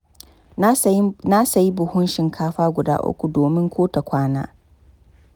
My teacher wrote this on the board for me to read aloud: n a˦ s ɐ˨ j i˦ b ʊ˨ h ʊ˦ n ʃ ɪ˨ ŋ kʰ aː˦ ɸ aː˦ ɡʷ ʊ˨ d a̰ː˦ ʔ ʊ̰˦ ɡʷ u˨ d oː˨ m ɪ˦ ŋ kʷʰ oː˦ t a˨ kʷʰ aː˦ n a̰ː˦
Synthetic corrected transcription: n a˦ s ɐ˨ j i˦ b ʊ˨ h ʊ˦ n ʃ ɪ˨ ŋ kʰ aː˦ ɸ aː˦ ɡʷ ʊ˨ d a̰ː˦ ʔ ʊ̰˦ kʷ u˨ d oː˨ m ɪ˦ ŋ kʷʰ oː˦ t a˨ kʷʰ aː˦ n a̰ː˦